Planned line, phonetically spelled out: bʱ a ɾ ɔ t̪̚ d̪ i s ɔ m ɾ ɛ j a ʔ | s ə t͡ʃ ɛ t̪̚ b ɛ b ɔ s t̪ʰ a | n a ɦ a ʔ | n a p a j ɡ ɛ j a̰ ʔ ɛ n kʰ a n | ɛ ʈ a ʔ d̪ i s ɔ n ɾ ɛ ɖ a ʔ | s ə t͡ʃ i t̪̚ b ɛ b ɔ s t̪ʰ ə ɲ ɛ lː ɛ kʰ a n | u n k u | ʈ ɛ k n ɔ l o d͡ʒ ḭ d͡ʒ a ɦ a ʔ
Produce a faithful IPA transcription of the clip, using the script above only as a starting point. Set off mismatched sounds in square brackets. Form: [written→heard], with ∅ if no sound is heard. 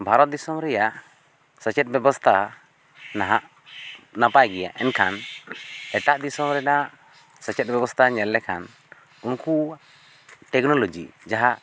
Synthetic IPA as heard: bʱ a ɾ ɔ t̪̚ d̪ i s ɔ m ɾ ɛ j a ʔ | s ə t͡ʃ ɛ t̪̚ b ɛ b ɔ s t̪ʰ a | n a ɦ a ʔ | n a p a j ɡ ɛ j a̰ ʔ ɛ n kʰ a n | ɛ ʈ a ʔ d̪ i s ɔ [n→m] ɾ ɛ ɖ a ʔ | s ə t͡ʃ [i→ɛ] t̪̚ b ɛ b ɔ s t̪ʰ [ə→a] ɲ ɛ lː ɛ kʰ a n | u n k u | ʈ ɛ k n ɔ l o d͡ʒ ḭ d͡ʒ a ɦ a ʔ